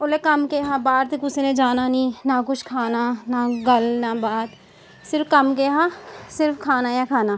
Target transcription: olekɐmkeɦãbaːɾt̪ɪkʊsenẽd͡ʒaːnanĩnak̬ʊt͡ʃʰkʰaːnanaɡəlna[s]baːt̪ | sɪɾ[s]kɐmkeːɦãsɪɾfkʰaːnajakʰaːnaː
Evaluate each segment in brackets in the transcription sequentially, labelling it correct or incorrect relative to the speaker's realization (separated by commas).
incorrect, incorrect